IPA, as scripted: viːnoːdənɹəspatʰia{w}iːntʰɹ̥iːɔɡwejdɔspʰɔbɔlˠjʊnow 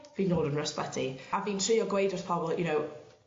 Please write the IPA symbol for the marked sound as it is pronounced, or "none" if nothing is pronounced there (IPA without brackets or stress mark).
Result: v